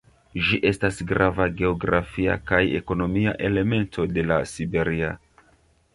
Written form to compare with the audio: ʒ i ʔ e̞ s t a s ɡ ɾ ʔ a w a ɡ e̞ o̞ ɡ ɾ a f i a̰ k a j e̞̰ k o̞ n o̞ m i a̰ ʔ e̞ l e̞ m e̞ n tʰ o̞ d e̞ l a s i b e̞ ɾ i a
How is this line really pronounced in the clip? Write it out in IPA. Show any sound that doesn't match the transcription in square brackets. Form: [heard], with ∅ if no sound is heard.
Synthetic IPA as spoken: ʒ i ʔ e̞ s t a s ɡ ɾ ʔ a [v] a ɡ e̞ o̞ ɡ ɾ a f i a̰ k a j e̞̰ k o̞ n o̞ m i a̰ ʔ e̞ l e̞ m e̞ n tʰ o̞ d e̞ l a s i b e̞ ɾ i a